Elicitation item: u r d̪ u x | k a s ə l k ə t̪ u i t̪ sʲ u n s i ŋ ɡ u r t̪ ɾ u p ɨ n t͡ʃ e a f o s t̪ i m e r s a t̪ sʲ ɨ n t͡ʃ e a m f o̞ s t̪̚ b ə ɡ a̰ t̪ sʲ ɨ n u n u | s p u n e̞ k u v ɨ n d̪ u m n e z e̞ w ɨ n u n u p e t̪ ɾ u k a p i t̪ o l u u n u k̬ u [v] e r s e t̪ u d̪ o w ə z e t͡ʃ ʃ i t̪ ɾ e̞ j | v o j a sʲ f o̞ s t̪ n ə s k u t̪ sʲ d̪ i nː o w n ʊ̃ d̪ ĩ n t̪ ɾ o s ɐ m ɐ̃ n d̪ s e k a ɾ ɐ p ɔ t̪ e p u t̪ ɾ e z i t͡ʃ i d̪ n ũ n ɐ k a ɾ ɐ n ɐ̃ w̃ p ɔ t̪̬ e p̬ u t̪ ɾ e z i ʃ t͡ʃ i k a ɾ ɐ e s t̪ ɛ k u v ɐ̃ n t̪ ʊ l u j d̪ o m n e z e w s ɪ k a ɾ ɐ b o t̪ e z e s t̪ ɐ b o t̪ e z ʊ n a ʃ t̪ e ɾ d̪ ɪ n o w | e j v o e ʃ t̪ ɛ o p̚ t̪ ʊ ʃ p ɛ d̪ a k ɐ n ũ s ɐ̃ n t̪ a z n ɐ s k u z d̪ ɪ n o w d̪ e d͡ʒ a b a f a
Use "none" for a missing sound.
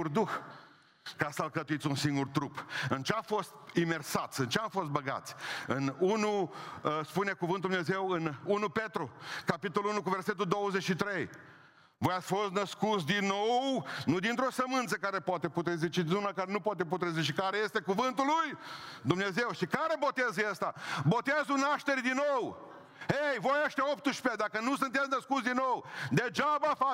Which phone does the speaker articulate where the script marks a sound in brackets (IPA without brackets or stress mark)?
v